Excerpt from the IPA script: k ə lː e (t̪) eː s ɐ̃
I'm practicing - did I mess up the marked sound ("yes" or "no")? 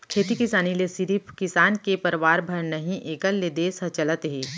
yes